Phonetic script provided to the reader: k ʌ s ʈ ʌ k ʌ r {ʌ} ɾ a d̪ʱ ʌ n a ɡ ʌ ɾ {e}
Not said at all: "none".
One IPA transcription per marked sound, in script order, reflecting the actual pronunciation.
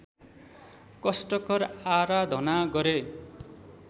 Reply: a, e

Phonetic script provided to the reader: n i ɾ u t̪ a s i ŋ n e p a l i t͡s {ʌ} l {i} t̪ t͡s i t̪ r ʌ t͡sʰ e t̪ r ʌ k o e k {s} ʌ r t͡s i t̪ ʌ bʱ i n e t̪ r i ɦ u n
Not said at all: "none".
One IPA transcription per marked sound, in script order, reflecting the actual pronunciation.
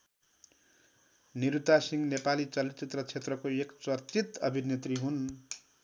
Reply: ʌ, i, t͡s

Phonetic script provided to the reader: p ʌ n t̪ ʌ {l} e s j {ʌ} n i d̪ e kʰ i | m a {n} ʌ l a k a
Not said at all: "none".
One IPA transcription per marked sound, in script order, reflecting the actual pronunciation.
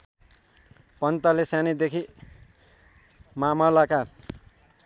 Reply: l, a, m

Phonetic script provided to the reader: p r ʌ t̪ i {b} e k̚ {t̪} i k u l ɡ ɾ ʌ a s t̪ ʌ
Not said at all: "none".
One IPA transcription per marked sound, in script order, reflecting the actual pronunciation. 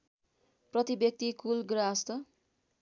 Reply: b, t̪

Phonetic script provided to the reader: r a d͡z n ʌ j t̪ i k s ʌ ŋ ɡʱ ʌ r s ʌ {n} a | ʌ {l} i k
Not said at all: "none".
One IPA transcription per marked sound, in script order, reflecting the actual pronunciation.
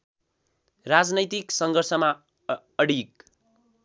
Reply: m, ɽ

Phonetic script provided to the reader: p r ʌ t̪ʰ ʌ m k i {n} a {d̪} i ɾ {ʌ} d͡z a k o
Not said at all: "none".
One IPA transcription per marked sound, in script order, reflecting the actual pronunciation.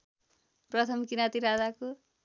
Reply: n, t̪, a

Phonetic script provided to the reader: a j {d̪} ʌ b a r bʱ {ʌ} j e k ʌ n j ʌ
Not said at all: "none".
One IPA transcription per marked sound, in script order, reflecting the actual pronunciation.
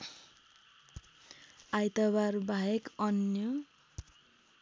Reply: t̪, a

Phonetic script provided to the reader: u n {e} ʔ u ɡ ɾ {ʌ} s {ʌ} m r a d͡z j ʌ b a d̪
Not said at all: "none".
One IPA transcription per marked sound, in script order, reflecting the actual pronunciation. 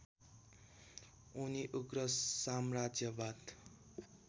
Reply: i, ʌ, a

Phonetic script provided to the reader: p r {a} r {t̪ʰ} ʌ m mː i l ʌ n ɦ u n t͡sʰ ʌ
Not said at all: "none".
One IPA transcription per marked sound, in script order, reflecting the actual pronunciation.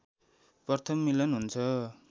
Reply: ʌ, t̪ʰ

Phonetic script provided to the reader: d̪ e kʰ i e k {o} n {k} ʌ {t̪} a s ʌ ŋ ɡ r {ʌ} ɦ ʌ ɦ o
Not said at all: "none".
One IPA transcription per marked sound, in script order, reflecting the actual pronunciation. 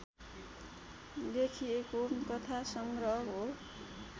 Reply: o, k, t̪ʰ, ʌ

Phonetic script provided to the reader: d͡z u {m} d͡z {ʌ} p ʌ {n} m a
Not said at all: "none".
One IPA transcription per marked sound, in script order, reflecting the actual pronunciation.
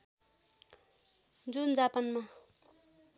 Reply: n, a, n

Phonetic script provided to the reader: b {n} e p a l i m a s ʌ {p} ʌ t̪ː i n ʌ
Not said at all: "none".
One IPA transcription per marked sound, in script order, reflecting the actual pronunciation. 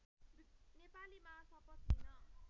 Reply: n, p

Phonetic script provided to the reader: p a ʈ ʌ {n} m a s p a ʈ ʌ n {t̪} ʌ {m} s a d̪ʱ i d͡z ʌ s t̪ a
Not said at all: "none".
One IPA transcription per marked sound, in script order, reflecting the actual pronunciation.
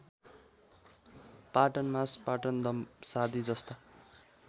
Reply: n, d̪, m

